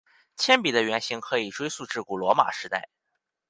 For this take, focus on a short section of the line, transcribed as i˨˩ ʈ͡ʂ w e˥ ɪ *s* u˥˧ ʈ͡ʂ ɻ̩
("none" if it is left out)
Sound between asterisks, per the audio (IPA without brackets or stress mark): s